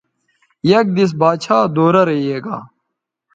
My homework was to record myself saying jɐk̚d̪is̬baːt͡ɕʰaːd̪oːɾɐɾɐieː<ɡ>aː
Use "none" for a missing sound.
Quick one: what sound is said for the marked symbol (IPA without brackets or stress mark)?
ɡ